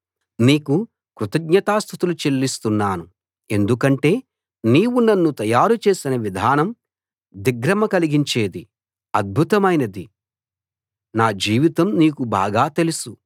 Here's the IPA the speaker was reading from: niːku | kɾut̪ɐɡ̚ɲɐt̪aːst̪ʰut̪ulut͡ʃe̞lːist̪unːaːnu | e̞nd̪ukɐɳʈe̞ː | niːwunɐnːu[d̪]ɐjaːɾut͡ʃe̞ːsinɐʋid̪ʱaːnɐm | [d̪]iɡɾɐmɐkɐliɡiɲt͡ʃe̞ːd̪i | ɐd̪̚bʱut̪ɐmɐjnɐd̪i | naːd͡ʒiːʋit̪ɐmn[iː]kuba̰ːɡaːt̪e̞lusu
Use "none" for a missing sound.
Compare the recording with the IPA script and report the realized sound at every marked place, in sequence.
t̪, d̪, iː

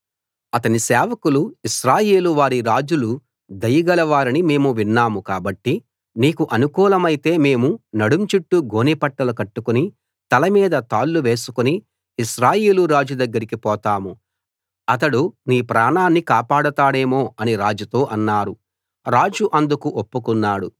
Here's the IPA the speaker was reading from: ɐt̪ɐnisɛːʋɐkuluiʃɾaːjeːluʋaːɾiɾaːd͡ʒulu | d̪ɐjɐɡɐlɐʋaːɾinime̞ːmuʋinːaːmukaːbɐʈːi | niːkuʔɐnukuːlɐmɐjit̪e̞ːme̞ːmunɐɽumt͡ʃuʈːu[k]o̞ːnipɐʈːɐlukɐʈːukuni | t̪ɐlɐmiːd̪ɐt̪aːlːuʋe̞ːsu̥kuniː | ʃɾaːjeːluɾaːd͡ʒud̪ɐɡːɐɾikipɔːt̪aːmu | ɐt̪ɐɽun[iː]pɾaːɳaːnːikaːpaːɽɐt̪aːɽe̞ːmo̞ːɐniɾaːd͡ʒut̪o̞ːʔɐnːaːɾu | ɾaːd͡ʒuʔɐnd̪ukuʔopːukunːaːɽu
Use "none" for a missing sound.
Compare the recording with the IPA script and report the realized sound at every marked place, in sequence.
ɡ, iː

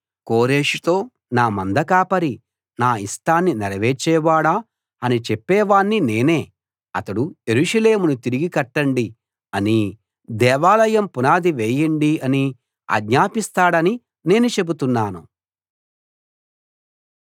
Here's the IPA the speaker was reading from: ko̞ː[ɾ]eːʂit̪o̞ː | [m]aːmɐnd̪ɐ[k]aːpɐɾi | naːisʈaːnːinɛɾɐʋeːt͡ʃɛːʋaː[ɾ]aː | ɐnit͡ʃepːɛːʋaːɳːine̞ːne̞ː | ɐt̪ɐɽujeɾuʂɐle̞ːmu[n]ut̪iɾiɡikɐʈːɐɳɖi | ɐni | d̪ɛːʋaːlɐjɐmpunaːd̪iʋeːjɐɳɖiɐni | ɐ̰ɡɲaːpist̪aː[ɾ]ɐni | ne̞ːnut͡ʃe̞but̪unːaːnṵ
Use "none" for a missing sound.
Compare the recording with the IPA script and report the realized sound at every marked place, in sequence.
ɾ, n, k, ɽ, n, ɽ

